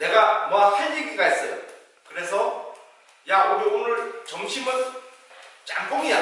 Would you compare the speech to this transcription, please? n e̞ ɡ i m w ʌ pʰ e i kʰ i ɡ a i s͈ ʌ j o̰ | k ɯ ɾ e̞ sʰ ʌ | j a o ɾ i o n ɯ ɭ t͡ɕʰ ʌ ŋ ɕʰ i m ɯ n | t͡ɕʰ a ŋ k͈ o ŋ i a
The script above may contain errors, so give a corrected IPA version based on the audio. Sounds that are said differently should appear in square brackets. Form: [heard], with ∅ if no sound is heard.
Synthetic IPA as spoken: n e̞ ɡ [a] m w [a] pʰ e i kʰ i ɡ a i s͈ ʌ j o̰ | k ɯ ɾ e̞ sʰ ʌ | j a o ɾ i o n ɯ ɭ [t͡ɕ] ʌ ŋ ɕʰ i m ɯ n | [t͡ɕ] a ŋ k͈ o ŋ i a